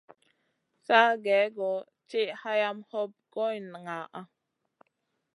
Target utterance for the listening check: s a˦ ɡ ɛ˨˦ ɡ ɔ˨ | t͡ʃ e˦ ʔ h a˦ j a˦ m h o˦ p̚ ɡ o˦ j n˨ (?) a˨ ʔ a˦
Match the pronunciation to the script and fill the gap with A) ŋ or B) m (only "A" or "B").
A